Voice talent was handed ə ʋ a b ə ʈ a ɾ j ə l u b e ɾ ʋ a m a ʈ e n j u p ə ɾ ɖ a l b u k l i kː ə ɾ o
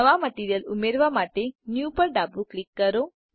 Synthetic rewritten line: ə ʋ a m ə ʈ i ɾ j ə l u m e ɾ ʋ a m a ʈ e n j u p ə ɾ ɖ a b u k l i kː ə ɾ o